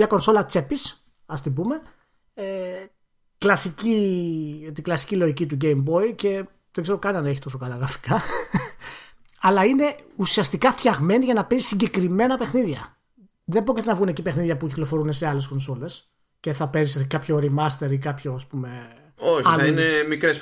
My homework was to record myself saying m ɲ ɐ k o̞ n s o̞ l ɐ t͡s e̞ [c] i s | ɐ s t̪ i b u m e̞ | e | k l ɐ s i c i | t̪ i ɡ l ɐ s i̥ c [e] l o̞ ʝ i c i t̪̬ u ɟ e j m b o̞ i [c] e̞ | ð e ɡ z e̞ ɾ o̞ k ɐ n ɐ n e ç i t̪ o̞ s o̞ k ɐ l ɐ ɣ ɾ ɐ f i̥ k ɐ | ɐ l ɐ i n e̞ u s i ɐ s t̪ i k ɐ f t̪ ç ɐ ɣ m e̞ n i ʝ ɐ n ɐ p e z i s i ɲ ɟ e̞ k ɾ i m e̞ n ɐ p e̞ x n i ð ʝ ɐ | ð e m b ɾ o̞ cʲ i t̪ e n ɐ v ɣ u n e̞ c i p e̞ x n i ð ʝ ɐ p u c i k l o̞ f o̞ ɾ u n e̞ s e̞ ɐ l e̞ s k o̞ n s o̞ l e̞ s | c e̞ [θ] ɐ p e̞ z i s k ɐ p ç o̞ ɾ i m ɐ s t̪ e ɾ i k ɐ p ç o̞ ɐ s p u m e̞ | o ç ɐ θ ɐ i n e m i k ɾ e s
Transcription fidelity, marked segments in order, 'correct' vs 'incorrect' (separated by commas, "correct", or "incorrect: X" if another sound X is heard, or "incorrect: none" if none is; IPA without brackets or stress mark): incorrect: p, incorrect: i, correct, correct